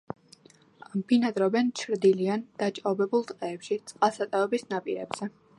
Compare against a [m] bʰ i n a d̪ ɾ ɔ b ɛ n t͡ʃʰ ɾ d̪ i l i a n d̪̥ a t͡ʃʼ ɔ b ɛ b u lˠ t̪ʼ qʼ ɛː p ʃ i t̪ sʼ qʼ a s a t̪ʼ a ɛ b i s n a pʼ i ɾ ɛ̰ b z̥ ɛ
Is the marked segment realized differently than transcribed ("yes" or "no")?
no